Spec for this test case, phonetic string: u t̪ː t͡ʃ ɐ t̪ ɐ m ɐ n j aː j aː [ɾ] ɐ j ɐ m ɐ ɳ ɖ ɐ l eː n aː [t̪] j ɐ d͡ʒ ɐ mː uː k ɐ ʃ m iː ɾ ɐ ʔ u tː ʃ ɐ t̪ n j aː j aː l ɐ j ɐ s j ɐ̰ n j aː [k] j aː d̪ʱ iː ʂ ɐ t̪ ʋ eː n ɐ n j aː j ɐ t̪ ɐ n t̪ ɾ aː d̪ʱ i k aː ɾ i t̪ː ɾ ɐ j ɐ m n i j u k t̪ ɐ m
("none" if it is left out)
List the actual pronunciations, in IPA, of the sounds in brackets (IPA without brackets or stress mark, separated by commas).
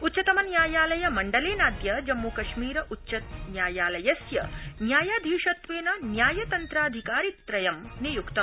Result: l, d̪, none